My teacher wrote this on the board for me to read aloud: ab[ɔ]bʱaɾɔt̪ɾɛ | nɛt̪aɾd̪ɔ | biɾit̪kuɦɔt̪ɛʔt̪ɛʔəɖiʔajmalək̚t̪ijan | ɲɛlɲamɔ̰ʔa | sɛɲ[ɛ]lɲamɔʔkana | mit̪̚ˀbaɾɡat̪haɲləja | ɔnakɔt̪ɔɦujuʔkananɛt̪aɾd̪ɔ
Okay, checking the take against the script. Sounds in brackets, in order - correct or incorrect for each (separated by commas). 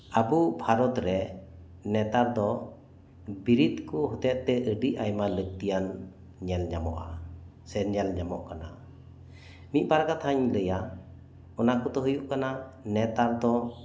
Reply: incorrect, correct